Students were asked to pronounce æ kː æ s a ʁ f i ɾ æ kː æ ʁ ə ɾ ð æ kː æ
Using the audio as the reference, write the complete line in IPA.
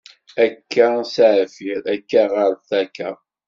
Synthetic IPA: æ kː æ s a ʕ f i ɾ æ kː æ ʁ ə ɾ θ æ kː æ